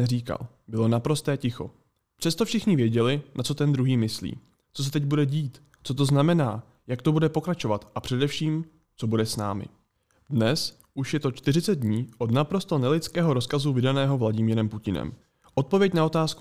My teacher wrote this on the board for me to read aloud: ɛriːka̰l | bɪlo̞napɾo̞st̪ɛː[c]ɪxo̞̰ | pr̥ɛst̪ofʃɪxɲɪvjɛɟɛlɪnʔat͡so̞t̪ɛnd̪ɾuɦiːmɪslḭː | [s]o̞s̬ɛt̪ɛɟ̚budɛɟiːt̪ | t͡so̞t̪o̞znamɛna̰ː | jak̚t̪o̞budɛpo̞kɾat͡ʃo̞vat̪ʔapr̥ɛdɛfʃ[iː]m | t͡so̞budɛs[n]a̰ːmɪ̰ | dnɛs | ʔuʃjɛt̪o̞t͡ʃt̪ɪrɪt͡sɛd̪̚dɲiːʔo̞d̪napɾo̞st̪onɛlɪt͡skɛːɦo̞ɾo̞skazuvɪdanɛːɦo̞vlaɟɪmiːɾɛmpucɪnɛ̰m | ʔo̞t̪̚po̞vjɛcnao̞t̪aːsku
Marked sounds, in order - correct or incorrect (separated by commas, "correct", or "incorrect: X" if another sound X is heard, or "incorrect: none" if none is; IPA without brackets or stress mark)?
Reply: correct, incorrect: t͡s, correct, correct